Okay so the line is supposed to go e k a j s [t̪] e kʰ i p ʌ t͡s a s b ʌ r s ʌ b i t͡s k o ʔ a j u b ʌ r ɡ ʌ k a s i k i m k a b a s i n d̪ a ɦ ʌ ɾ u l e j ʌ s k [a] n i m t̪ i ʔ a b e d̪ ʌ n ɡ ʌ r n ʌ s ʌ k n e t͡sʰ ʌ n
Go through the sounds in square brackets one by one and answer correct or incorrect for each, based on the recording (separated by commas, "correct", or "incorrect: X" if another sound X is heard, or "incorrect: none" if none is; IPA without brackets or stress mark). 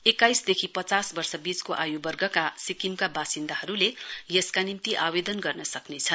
incorrect: d̪, correct